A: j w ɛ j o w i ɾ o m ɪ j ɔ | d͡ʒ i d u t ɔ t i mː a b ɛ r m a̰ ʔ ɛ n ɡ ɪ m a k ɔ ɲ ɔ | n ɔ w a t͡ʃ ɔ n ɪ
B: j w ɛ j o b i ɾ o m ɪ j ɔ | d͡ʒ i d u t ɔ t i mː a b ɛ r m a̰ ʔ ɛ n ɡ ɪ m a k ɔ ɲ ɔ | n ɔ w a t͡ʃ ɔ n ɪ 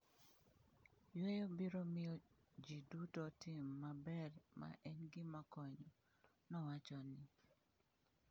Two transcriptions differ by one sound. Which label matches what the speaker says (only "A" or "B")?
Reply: B